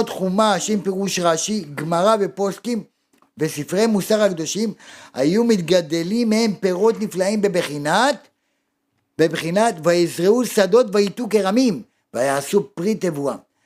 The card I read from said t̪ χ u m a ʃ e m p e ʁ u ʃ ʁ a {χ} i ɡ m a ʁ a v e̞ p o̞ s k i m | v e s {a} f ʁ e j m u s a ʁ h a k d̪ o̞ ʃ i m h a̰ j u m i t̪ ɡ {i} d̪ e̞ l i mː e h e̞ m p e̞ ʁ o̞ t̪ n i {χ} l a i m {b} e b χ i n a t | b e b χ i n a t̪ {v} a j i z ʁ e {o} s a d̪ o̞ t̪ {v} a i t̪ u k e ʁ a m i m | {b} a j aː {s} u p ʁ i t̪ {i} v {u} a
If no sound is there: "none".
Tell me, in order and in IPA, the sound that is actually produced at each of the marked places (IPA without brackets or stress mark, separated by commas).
ʃ, i, a, f, b, v, u, v, v, s, e, u